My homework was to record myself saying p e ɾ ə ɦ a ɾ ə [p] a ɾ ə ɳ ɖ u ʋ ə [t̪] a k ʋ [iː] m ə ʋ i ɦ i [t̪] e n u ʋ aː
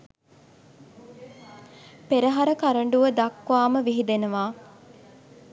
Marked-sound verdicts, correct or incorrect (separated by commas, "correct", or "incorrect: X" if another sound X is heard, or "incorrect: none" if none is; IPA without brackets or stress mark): incorrect: k, incorrect: d̪, incorrect: aː, incorrect: d̪